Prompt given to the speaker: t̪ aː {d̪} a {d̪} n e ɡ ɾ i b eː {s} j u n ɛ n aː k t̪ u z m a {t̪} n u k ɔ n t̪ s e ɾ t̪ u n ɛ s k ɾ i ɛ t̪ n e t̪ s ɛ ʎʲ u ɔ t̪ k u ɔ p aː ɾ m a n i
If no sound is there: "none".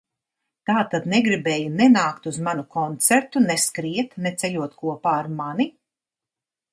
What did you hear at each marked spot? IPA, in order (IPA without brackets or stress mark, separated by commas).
t̪, d̪, none, none